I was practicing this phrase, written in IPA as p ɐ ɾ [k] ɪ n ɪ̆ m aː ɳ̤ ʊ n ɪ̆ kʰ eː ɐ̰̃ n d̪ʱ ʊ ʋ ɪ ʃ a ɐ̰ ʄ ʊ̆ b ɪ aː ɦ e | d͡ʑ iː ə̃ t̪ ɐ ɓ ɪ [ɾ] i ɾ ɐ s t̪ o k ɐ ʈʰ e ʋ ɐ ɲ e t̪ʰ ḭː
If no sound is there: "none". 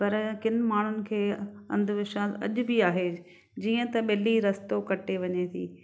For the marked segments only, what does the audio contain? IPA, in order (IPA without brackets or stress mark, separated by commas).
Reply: k, l